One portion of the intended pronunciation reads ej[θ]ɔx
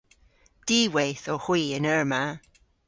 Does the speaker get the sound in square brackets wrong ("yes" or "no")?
no